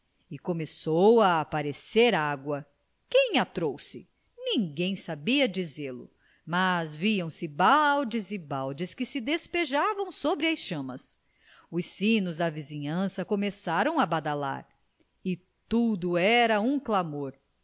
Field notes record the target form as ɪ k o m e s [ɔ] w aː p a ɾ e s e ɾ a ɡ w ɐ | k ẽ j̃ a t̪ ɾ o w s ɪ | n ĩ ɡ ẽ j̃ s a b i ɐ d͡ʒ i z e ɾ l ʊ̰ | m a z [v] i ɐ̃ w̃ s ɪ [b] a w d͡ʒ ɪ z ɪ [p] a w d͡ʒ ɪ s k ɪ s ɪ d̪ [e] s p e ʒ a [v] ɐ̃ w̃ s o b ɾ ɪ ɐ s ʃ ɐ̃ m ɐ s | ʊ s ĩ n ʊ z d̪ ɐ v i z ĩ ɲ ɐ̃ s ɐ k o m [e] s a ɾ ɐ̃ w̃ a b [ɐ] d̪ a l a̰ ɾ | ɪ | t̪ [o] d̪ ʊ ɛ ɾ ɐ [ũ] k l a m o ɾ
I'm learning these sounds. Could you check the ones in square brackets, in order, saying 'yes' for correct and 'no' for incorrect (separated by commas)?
no, yes, yes, no, yes, yes, yes, no, no, yes